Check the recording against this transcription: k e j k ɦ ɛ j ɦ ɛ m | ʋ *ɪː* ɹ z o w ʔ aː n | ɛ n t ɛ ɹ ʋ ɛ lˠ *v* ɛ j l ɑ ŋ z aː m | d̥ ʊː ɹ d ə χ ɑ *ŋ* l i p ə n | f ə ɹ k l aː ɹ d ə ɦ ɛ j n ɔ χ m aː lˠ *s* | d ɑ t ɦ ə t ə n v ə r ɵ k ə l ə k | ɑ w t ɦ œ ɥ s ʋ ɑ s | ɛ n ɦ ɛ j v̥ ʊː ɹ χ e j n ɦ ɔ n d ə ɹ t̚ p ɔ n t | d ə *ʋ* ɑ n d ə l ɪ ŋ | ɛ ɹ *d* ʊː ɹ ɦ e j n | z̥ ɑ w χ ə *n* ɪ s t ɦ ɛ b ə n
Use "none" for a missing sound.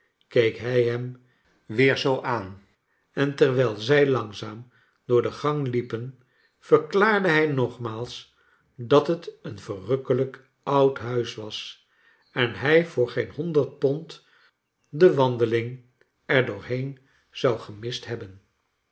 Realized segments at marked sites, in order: ɪː, z, ŋ, s, ʋ, d, m

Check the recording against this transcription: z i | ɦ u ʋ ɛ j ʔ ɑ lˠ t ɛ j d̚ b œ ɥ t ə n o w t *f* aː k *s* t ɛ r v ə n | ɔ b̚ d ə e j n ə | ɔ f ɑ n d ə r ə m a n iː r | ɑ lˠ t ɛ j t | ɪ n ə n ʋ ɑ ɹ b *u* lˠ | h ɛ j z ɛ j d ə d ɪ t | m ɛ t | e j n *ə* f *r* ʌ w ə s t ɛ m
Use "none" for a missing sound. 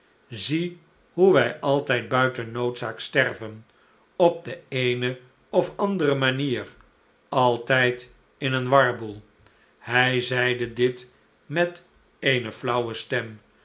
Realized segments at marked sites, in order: s, s, u, ə, l

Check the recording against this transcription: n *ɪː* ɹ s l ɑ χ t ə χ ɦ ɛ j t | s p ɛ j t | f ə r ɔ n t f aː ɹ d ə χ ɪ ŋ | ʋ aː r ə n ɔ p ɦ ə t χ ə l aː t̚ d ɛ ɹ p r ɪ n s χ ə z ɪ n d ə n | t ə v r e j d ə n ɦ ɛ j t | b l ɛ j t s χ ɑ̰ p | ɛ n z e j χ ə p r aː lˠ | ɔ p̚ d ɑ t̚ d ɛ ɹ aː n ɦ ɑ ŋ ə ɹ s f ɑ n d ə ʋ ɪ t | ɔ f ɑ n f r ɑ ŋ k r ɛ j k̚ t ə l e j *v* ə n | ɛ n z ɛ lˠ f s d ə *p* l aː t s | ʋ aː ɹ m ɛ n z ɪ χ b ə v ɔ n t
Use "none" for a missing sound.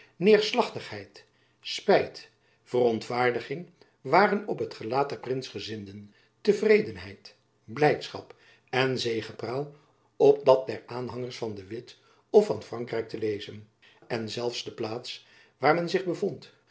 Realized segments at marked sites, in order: ɪː, z, p

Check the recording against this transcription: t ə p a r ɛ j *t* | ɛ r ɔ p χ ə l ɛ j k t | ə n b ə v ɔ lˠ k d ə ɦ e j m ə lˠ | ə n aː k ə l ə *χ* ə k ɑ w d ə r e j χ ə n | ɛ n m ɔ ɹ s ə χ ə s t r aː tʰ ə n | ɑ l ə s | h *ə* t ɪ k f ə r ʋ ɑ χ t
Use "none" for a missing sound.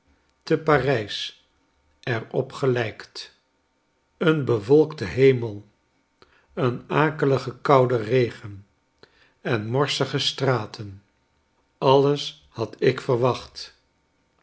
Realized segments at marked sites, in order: s, χ, ɑ

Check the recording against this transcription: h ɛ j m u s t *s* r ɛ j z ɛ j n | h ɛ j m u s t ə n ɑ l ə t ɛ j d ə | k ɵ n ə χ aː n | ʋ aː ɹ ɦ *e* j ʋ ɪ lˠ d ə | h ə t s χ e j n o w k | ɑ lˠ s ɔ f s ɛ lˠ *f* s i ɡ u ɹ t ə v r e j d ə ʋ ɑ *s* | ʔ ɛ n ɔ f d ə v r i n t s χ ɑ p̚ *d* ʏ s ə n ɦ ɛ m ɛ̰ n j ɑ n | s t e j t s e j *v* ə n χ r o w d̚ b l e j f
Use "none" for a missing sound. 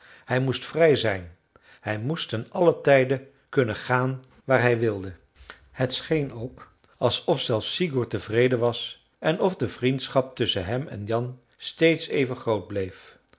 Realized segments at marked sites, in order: f, ɛ, f, s, t, v

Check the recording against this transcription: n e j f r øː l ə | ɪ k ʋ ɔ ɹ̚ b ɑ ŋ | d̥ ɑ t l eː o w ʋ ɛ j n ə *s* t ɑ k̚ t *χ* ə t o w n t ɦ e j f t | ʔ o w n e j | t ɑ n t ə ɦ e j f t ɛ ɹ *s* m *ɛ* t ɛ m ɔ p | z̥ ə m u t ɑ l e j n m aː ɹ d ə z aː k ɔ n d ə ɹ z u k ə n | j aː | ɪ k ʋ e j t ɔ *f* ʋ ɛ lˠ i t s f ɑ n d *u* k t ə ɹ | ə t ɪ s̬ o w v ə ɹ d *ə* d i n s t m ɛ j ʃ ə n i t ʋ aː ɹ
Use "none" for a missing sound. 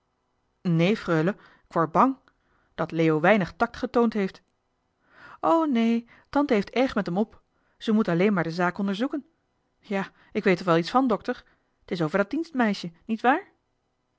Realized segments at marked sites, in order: χ, χ, χ, ɛ, χ, ɔ, ɑ

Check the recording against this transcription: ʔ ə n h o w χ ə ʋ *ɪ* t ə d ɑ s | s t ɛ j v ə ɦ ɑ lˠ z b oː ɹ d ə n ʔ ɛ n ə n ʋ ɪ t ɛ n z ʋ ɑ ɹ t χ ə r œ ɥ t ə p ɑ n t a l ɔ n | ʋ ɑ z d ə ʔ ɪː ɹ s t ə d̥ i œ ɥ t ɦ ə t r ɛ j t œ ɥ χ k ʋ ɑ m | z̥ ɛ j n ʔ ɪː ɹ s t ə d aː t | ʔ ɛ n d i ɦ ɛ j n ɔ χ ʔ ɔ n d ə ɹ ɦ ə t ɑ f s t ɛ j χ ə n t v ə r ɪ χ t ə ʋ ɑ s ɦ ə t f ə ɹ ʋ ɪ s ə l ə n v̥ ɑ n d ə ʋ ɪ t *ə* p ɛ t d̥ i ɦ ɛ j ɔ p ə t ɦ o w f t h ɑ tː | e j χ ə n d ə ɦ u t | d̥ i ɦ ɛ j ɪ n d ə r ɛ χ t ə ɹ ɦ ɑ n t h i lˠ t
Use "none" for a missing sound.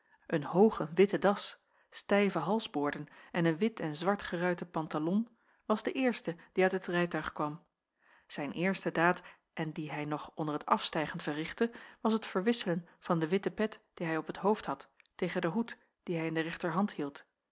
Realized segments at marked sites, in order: ɪ, ə

